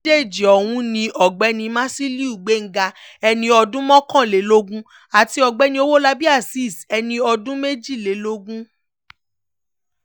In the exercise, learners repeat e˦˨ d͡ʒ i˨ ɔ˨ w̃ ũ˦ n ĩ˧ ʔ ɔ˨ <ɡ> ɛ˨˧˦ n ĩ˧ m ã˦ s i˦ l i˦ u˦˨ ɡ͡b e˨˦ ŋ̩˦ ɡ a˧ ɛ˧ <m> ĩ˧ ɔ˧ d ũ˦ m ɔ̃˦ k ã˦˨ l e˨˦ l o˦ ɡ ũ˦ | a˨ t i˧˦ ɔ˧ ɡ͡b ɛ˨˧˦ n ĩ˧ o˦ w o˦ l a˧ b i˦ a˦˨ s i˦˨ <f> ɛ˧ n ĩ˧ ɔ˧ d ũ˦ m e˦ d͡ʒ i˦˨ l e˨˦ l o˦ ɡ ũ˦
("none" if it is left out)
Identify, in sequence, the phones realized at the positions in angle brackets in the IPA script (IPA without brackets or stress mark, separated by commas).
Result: ɡ͡b, n, s